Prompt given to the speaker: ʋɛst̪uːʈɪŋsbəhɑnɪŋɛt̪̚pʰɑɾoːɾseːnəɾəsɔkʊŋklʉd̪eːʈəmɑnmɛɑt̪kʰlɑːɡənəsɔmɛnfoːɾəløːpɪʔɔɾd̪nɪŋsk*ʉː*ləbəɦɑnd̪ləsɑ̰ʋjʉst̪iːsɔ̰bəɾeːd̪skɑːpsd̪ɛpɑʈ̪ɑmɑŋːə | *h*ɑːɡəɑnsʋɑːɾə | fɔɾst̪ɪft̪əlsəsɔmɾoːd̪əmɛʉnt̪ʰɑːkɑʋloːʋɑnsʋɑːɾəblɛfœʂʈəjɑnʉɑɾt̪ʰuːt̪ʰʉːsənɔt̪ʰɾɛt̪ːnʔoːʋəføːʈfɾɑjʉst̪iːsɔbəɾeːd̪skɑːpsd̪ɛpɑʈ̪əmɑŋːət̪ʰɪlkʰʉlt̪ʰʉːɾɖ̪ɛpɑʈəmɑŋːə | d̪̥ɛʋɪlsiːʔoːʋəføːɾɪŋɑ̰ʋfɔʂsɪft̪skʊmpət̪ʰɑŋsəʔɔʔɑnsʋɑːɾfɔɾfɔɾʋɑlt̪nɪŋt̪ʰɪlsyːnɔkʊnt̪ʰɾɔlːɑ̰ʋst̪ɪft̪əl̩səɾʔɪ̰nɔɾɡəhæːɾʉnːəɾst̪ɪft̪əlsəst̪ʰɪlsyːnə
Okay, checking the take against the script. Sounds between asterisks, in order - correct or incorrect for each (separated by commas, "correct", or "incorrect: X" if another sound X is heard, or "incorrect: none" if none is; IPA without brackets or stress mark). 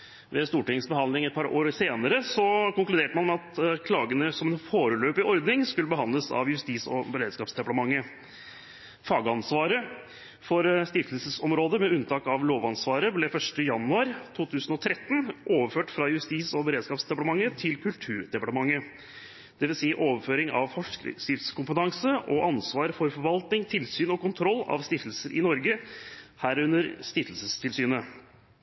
incorrect: ʉ, incorrect: f